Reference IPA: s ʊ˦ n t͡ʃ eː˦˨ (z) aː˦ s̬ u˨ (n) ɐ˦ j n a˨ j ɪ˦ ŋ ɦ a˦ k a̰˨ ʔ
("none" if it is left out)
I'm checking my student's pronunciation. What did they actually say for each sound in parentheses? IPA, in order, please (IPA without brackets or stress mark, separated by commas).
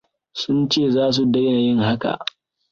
z, d